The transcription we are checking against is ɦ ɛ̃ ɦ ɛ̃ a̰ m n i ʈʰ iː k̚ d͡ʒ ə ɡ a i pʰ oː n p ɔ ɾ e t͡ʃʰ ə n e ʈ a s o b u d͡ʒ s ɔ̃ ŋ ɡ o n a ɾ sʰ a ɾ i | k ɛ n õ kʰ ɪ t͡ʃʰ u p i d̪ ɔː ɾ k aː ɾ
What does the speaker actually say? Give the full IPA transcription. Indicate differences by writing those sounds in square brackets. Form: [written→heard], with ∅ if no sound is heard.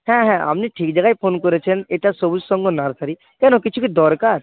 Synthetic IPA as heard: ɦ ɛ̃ ɦ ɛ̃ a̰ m n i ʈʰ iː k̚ d͡ʒ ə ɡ a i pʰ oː n [p→k] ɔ ɾ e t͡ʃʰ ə n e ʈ a s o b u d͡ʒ s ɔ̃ ŋ ɡ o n a ɾ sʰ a ɾ i | k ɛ n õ [kʰ→k] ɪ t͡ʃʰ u [p→k] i d̪ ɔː ɾ k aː ɾ